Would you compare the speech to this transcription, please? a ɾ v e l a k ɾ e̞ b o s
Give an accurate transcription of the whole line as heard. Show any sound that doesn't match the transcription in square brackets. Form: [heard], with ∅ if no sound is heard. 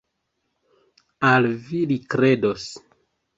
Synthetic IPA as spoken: a [l] v [i] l [i] k ɾ e̞ [d] o s